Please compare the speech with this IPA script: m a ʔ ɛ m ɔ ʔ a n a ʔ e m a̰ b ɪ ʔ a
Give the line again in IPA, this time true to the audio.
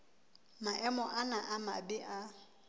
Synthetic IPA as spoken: m a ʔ ɛ m ɔ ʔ a n a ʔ a m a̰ b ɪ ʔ a

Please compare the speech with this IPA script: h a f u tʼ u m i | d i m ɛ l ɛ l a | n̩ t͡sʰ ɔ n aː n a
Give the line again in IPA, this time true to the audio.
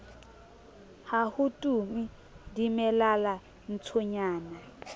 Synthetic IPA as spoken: h a h u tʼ u m i | d i m ɛ l a l a | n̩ t͡sʰ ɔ ɲ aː n a

